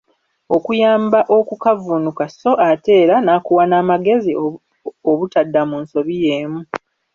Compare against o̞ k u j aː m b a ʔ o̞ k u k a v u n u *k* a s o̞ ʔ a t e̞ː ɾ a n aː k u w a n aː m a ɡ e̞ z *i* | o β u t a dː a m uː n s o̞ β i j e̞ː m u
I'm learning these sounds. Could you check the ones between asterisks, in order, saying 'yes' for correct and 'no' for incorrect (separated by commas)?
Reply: yes, yes